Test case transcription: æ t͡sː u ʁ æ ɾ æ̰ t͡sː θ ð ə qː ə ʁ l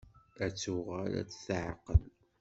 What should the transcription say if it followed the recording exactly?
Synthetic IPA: æ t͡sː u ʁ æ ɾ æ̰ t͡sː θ ʕ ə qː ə l

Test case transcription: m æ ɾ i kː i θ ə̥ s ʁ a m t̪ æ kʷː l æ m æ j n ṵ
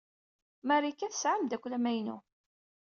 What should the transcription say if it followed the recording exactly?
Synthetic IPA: m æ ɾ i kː æ θ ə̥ s ʕ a m d̪ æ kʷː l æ m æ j n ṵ

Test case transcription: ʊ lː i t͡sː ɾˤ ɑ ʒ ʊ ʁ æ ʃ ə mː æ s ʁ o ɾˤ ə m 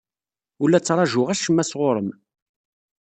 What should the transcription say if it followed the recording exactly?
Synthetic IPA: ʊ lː æ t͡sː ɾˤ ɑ ʒ ʊ ʁ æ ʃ ə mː æ s ʁ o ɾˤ ə m

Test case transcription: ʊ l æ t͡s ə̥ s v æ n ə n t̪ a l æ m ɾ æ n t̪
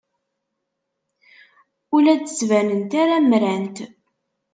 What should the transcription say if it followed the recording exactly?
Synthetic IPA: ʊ l æ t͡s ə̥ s v æ n ə n t̪ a ɾ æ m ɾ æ n t̪

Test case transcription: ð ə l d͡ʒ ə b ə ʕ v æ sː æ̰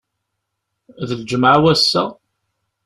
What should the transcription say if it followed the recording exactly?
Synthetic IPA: ð ə l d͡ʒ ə m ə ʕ w æ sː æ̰

